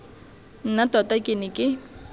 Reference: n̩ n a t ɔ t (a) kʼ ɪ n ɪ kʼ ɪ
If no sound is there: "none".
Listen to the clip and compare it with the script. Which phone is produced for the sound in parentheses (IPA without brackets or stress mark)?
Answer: a